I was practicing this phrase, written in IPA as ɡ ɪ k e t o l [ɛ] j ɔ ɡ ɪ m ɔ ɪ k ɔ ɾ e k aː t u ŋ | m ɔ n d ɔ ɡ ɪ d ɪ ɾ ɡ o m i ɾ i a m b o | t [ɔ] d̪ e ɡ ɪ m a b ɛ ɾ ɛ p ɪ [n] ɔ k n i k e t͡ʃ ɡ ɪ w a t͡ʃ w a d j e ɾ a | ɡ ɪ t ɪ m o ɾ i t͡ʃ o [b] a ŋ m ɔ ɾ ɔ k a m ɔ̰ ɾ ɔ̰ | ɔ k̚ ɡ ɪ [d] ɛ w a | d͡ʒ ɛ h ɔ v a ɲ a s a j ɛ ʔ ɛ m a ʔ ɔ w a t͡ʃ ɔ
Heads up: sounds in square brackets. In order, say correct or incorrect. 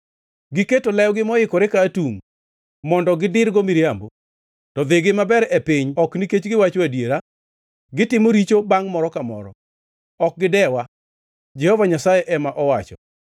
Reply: correct, correct, incorrect, correct, correct

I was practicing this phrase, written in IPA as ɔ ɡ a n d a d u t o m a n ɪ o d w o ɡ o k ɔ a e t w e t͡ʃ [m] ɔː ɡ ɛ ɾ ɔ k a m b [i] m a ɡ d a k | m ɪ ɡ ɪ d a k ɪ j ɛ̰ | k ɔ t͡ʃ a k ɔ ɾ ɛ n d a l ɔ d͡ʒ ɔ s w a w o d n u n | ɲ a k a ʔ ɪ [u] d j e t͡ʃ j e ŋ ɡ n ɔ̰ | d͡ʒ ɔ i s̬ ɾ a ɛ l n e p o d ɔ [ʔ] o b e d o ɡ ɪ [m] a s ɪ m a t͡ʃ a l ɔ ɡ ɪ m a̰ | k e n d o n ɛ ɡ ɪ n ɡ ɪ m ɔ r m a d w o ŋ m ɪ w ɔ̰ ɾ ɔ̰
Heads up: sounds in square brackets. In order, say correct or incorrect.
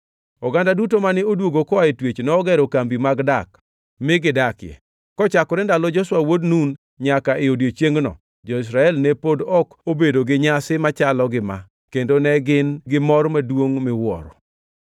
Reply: incorrect, correct, incorrect, incorrect, incorrect

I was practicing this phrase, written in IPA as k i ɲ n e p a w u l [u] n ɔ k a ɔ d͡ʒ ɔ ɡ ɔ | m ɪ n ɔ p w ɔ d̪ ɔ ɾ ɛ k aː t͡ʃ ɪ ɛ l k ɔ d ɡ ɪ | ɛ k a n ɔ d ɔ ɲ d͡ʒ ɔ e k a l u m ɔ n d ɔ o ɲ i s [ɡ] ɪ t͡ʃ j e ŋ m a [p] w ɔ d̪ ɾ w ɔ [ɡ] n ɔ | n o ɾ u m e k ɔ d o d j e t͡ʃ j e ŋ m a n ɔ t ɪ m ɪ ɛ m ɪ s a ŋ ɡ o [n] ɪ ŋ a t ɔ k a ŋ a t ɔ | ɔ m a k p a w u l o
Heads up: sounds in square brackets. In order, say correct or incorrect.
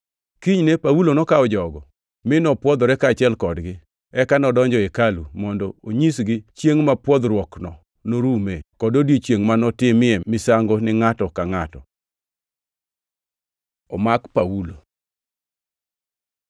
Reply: incorrect, correct, correct, incorrect, correct

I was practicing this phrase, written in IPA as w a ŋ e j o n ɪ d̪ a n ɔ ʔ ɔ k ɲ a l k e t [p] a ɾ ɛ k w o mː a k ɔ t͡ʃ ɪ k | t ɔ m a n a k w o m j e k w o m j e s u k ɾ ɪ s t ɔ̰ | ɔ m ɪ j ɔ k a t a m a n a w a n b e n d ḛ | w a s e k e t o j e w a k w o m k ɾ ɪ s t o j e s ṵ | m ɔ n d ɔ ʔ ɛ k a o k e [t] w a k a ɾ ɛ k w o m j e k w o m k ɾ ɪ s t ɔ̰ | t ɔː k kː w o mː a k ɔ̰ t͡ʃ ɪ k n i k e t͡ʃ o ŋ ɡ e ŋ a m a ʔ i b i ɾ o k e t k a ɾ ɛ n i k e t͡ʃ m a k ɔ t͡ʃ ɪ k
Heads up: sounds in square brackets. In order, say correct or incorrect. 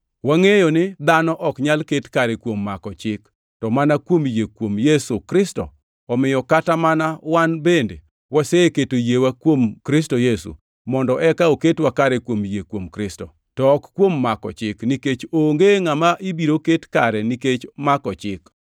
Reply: incorrect, correct

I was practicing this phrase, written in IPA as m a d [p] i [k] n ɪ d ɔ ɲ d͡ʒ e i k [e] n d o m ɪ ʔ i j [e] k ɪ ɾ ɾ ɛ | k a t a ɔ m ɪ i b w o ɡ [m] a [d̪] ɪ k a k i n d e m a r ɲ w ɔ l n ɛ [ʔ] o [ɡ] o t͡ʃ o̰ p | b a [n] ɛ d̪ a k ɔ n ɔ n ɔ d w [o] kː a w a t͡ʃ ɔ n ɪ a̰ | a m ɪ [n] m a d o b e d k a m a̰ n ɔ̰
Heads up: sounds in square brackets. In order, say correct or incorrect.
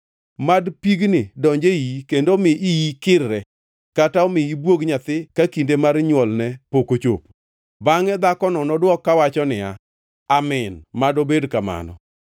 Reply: correct, incorrect, correct, incorrect, incorrect, incorrect, incorrect, incorrect, incorrect, incorrect, correct

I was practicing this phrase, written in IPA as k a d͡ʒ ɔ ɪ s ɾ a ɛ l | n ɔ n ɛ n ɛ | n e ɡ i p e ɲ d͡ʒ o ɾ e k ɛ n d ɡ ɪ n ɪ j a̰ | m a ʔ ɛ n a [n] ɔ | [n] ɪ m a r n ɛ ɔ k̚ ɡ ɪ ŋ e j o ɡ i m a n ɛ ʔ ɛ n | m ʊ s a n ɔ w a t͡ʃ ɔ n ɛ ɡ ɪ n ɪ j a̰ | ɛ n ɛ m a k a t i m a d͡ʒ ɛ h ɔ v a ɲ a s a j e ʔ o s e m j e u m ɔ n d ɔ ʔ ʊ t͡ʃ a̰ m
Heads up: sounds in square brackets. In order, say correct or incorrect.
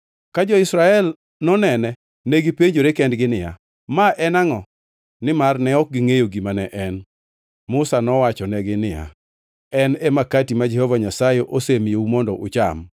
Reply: incorrect, correct

